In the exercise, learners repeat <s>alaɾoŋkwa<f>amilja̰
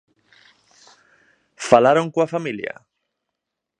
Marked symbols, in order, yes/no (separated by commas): no, yes